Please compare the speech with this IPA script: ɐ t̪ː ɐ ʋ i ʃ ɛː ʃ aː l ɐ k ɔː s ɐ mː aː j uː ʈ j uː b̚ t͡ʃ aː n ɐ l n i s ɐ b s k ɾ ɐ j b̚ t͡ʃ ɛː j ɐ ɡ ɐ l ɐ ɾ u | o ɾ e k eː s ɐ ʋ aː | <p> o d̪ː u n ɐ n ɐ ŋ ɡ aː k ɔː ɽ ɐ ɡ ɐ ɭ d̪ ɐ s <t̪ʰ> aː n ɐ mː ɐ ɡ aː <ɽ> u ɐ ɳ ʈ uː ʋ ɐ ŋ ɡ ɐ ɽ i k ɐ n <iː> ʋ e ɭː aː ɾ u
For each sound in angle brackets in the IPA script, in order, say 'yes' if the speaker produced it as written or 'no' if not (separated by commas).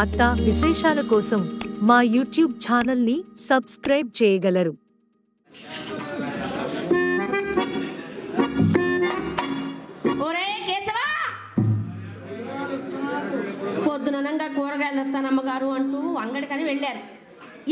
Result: yes, no, no, no